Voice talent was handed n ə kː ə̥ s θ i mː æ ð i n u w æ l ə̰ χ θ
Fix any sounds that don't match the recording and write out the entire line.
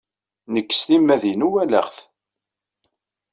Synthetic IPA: n ə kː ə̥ s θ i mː æ ð i n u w æ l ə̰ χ θ